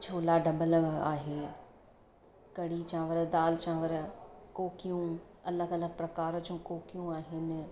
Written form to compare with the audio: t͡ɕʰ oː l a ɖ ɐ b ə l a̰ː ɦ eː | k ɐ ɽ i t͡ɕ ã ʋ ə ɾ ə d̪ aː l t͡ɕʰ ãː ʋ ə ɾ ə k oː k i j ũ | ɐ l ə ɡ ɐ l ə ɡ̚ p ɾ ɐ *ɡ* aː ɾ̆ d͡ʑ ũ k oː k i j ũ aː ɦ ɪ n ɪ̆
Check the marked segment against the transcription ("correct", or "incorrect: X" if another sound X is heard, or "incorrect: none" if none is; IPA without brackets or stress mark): incorrect: k